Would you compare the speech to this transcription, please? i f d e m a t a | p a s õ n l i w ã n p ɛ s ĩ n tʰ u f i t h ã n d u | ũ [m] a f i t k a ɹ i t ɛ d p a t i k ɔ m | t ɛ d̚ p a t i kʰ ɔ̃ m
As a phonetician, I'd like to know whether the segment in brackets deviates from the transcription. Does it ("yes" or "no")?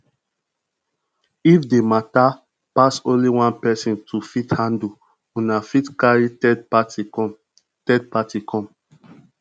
yes